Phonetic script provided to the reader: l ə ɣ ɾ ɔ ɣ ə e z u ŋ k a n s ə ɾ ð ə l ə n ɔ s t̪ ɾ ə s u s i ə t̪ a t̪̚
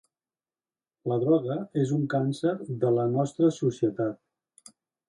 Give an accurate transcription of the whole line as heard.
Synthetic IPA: l ə ð ɾ ɔ ɣ ə e z u ŋ k a n s ə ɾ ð ə l ə n ɔ s t̪ ɾ ə s u s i ə t̪ a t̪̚